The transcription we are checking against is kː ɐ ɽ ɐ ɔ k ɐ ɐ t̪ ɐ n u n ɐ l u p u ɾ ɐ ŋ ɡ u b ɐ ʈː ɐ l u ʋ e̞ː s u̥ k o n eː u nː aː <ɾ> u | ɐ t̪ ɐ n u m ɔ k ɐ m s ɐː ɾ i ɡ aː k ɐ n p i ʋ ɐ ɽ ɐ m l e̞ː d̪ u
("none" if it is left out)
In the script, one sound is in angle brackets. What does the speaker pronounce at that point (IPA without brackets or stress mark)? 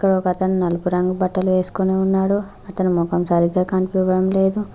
ɽ